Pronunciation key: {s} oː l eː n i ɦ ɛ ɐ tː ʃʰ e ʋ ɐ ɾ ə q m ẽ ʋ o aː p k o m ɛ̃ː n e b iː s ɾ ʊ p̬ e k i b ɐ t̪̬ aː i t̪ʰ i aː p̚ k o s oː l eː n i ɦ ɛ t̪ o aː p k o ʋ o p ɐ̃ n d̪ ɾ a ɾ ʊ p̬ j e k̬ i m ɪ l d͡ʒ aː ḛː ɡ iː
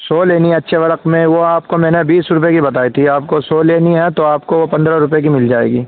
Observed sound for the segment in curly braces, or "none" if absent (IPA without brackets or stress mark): s